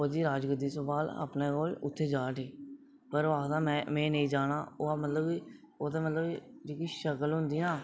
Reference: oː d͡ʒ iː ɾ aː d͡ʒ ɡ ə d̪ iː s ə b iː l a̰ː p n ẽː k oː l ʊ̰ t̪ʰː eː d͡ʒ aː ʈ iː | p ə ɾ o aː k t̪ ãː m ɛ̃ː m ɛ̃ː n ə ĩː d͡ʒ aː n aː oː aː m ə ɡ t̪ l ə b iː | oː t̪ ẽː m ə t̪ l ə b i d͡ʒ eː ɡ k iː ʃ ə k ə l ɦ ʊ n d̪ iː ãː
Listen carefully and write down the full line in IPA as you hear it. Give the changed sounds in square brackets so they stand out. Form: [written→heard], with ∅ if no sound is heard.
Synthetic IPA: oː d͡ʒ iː ɾ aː d͡ʒ ɡ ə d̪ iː s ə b [iː→aː] l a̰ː p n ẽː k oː l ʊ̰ t̪ʰː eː d͡ʒ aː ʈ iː | p ə ɾ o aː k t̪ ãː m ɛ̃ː m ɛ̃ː n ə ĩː d͡ʒ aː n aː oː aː m ə [ɡ→∅] t̪ l ə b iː | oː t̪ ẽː m ə t̪ l ə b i d͡ʒ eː [ɡ→∅] k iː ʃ ə k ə l ɦ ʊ n d̪ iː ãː